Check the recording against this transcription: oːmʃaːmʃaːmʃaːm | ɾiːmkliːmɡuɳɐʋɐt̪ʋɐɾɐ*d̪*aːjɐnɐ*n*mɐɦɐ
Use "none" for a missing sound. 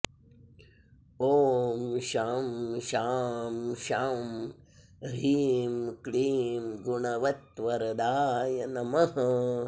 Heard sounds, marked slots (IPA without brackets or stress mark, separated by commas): d̪, none